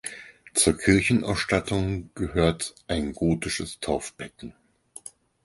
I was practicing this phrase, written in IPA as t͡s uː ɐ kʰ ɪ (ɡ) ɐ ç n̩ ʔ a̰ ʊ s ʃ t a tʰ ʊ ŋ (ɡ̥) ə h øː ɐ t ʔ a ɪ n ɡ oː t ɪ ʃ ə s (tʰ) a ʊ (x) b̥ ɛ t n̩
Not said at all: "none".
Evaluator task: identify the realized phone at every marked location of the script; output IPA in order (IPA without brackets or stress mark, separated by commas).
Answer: none, ɡ̥, tʰ, f